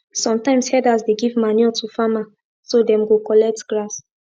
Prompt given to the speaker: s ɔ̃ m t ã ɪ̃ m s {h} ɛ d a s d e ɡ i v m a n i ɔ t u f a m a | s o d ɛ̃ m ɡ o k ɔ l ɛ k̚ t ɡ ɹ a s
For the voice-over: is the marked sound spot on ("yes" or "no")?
yes